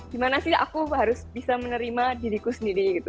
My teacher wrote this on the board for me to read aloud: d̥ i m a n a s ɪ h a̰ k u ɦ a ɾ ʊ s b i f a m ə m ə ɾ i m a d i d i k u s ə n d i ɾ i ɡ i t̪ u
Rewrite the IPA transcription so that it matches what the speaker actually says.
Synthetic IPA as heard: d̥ i m a n a s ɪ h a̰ k u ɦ a ɾ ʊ s b i s a m ə n ə ɾ i m a d i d i k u s ə n d i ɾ i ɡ i t̪ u